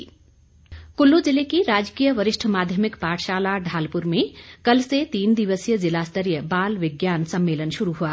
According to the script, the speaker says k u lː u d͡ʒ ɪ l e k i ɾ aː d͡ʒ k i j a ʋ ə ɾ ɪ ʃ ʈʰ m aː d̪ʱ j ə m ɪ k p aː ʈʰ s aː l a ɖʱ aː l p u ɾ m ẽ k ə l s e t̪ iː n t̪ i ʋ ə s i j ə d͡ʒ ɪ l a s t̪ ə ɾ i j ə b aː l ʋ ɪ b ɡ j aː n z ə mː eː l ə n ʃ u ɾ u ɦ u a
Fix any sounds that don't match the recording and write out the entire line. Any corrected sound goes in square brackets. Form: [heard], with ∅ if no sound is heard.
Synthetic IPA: k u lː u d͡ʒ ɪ l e k i ɾ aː d͡ʒ k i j [ə] ʋ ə ɾ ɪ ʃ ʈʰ m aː d̪ʱ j ə m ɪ k p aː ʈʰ [ʃ] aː l a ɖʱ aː l p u ɾ m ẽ k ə l s e t̪ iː n [d̪] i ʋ ə s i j ə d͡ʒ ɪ l a s t̪ ə ɾ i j ə b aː l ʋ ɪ [∅] ɡ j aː n [s] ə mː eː l ə n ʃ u ɾ u ɦ u a

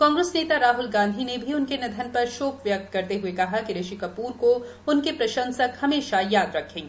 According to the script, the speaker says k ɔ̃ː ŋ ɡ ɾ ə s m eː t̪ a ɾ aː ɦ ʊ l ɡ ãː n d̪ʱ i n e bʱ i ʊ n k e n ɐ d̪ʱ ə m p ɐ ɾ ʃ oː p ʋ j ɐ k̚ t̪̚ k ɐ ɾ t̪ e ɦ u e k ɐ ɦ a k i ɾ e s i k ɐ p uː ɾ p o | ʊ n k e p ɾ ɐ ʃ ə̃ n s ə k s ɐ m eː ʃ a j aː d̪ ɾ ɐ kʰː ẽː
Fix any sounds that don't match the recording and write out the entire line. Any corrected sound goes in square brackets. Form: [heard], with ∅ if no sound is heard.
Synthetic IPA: k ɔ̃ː ŋ ɡ ɾ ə s [n] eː t̪ a ɾ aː ɦ ʊ l ɡ ãː n d̪ʱ i n e bʱ i ʊ n k e n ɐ d̪ʱ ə [n] p ɐ ɾ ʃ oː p ʋ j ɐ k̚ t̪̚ k ɐ ɾ t̪ e ɦ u e k ɐ ɦ a k i ɾ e [ʃ] i k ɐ p uː ɾ [k] o | ʊ n k e p ɾ ɐ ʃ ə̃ n s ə k [h] ɐ m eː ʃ a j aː d̪ ɾ ɐ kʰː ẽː

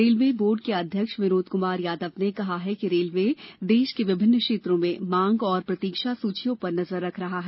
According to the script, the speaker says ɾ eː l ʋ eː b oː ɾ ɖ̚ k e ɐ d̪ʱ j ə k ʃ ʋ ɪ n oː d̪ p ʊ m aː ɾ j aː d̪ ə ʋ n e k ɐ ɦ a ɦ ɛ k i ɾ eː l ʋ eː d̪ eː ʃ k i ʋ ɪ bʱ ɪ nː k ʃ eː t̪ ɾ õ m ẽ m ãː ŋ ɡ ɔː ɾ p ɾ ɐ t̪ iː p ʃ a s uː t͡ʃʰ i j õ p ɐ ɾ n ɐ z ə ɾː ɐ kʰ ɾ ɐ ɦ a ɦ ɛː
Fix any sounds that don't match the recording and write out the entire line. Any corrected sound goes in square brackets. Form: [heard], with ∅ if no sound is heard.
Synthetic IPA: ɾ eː l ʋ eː b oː ɾ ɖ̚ k e ɐ d̪ʱ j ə k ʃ ʋ ɪ n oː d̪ [k] ʊ m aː ɾ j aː d̪ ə ʋ n e k ɐ ɦ a ɦ ɛ k i ɾ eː l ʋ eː d̪ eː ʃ k [e] ʋ ɪ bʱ ɪ nː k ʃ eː t̪ ɾ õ m ẽ m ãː ŋ ɡ ɔː ɾ p ɾ ɐ t̪ iː [k] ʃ a s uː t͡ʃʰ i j õ p ɐ ɾ n ɐ z ə ɾː ɐ kʰ ɾ ɐ ɦ a ɦ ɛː

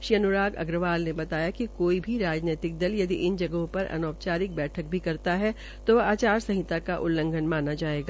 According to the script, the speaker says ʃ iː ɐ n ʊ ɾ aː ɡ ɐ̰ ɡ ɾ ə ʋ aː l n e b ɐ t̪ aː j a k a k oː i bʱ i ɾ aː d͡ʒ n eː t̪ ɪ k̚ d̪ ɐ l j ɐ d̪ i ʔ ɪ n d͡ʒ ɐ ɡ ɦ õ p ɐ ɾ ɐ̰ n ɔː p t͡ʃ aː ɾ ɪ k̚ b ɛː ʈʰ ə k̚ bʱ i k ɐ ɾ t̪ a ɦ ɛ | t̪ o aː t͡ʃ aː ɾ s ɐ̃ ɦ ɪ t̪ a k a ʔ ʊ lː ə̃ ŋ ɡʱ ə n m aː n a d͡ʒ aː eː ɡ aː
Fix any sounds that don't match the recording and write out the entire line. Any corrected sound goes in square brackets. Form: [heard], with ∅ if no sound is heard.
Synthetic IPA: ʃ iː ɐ n ʊ ɾ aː ɡ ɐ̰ ɡ ɾ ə ʋ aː l n e b ɐ t̪ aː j a k [i] k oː i bʱ i ɾ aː d͡ʒ n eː t̪ ɪ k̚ d̪ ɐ l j ɐ d̪ i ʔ ɪ n d͡ʒ ɐ ɡ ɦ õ p ɐ ɾ ɐ̰ n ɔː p t͡ʃ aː ɾ ɪ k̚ b ɛː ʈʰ ə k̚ bʱ i k ɐ ɾ t̪ a ɦ ɛ | t̪ o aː t͡ʃ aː ɾ s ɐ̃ ɦ ɪ t̪ a k a ʔ ʊ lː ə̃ ŋ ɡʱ ə n m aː n a d͡ʒ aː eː ɡ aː

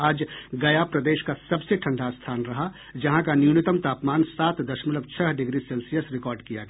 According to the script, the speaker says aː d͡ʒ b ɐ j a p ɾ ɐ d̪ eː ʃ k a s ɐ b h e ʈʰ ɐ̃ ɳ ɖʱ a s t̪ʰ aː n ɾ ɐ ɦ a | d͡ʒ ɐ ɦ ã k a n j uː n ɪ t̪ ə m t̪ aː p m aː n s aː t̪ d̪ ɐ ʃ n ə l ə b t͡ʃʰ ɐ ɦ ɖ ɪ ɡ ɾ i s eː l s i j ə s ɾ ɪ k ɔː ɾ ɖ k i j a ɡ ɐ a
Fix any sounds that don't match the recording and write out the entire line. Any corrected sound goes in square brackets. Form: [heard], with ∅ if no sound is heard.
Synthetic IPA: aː d͡ʒ [ɡ] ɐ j a p ɾ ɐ d̪ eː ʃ k a s ɐ b [s] e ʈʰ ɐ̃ ɳ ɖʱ a s t̪ʰ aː n ɾ ɐ ɦ a | d͡ʒ ɐ ɦ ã k a n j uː n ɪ t̪ ə m t̪ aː p m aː n s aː t̪ d̪ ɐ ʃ [m] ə l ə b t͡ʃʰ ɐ ɦ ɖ ɪ ɡ ɾ i s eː l s i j ə s ɾ ɪ k ɔː ɾ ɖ k i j a ɡ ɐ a

